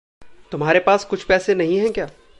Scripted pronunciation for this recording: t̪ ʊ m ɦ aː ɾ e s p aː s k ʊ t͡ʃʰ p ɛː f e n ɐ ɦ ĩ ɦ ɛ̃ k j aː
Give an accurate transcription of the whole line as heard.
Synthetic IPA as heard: t̪ ʊ m ɦ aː ɾ e p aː s k ʊ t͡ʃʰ p ɛː s e n ɐ ɦ ĩ ɦ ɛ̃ k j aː